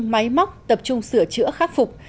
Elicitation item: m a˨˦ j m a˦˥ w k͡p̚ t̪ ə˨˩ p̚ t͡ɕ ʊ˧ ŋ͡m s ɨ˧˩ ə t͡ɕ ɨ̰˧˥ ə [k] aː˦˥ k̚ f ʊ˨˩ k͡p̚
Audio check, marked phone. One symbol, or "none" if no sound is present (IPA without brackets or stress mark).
x